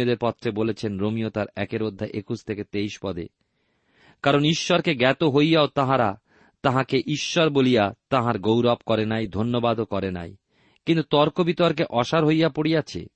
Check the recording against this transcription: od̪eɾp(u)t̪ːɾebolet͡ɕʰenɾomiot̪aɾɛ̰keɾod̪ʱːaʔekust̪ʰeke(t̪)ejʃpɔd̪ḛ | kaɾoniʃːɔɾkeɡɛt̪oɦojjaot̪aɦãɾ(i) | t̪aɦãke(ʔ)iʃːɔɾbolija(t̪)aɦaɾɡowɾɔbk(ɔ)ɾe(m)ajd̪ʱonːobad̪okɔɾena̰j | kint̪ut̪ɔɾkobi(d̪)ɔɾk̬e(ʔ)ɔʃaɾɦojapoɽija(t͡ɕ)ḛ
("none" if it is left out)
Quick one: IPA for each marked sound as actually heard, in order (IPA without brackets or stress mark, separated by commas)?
ɔ, t̪, a, ʔ, t̪, ɔ, n, t̪, ʔ, t͡ɕʰ